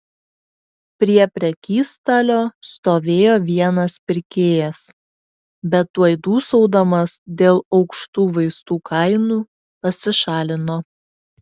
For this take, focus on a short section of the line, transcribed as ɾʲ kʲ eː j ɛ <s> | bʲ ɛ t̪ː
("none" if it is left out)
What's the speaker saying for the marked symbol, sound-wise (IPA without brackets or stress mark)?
s